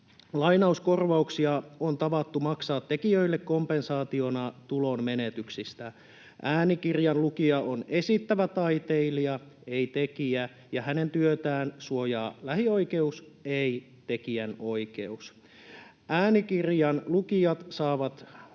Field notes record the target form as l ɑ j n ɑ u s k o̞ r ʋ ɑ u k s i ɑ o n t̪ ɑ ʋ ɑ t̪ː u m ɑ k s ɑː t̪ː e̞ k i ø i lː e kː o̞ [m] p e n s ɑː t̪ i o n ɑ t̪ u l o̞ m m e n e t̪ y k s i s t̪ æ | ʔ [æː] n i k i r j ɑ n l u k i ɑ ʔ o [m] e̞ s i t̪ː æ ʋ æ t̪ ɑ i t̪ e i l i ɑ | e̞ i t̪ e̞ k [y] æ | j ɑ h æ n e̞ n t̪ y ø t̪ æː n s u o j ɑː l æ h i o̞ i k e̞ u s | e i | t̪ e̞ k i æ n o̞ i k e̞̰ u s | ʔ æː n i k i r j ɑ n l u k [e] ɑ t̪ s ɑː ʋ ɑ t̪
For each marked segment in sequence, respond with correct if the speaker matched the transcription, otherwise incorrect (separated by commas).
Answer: correct, correct, incorrect, incorrect, incorrect